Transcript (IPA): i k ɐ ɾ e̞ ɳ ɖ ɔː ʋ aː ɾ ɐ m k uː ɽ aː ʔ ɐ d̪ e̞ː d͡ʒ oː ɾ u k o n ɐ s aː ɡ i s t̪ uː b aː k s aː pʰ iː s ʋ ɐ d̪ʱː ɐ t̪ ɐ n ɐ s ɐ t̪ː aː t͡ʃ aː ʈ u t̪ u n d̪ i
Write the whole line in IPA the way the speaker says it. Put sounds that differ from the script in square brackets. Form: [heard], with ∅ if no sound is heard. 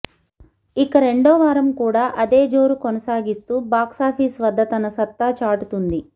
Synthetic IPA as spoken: i k ɐ ɾ e̞ ɳ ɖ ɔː ʋ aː ɾ ɐ m k uː ɽ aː ʔ ɐ d̪ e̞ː d͡ʒ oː ɾ u k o n ɐ s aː ɡ i s t̪ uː b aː k s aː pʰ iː s ʋ ɐ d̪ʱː ɐ t̪ ɐ n ɐ s ɐ t̪ː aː t͡ʃ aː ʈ u t̪ u n d̪ i